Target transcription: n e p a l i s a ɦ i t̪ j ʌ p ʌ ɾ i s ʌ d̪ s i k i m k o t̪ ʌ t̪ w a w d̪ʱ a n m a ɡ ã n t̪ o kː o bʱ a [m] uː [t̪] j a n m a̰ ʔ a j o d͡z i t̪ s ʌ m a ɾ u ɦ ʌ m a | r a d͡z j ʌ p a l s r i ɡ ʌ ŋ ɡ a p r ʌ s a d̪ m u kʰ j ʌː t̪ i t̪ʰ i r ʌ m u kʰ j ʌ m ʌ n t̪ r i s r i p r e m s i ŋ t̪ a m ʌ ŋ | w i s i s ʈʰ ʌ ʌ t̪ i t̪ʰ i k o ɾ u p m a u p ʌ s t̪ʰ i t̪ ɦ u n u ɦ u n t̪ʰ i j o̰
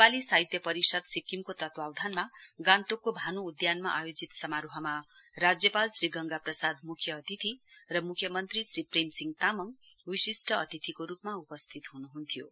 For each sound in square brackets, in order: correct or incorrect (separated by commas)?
incorrect, incorrect